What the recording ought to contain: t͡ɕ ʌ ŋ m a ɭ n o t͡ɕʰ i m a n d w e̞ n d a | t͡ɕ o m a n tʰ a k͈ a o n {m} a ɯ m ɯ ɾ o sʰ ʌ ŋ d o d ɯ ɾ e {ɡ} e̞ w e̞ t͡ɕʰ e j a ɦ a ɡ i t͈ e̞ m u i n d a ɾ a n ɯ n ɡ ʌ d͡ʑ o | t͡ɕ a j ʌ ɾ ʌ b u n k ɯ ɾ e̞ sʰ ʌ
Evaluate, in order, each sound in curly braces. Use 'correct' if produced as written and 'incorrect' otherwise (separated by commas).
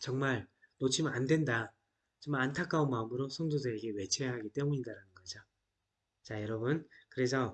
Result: correct, correct